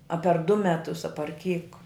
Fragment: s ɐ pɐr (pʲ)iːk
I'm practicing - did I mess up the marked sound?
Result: yes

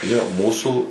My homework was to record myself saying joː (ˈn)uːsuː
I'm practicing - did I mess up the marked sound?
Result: yes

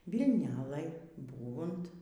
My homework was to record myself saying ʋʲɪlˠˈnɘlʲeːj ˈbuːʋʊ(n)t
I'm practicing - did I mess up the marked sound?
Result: no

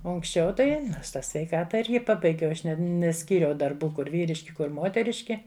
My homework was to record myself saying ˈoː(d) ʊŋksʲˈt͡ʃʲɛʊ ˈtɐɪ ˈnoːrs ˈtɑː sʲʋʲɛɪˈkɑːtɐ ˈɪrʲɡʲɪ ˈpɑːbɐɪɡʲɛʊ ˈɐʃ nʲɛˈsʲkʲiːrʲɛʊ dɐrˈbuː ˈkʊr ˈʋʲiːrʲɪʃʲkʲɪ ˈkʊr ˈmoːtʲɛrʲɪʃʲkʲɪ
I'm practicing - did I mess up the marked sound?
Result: yes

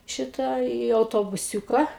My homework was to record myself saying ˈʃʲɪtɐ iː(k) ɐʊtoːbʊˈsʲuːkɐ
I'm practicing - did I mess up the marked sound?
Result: yes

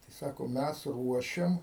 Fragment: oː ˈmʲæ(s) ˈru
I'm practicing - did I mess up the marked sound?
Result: no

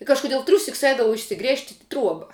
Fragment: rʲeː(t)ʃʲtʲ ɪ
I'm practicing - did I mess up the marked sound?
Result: yes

